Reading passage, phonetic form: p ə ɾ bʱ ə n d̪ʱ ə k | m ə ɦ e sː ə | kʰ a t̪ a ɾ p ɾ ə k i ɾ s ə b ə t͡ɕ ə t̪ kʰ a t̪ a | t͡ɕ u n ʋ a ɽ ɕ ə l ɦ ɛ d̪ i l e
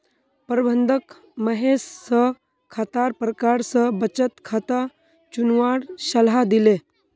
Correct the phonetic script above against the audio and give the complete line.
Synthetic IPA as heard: p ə ɾ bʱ ə n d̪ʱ ə k | m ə ɦ e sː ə | kʰ a t̪ a ɾ p ɾ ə k a ɾ s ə b ə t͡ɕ ə t̪ kʰ a t̪ a | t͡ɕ u n ʋ a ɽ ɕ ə l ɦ a d̪ i l e

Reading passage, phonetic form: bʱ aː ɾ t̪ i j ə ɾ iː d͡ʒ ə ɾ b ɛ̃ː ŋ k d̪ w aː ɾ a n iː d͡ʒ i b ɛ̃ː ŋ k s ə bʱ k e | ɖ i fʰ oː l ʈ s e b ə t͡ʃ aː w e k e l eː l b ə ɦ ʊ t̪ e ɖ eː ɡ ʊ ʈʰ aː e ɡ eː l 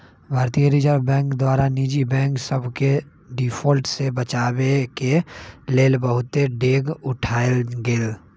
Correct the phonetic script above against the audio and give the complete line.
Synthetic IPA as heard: bʱ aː ɾ t̪ i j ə ɾ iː d͡ʒ ə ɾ b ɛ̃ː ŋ k d̪ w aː ɾ a n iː d͡ʒ i b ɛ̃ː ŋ k s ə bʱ k e | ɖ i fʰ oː l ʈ s e b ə t͡ʃ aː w e k e l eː l b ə ɦ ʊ t̪ e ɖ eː ɡ ʊ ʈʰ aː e ɡ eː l

